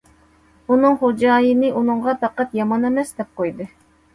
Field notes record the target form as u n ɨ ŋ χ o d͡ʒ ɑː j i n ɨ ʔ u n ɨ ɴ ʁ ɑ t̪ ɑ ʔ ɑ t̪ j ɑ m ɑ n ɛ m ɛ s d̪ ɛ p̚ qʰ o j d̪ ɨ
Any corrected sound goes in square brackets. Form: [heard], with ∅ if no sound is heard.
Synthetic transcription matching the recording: u n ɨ ŋ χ o d͡ʒ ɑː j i n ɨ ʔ u n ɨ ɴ ʁ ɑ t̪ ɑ [q] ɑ t̪ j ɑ m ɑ n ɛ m ɛ s d̪ ɛ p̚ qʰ o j d̪ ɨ